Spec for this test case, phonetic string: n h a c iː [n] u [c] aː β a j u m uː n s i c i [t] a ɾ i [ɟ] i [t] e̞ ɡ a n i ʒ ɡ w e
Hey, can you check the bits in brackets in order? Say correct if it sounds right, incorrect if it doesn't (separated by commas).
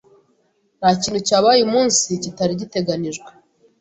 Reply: correct, correct, correct, correct, correct